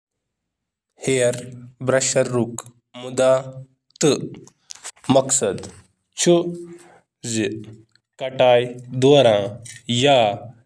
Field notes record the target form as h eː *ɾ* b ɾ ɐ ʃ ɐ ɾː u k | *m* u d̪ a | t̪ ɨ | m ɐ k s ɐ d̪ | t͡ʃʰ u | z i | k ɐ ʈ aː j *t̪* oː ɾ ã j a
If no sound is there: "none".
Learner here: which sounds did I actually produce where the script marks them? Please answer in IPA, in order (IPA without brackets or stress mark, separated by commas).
ɾ, m, d̪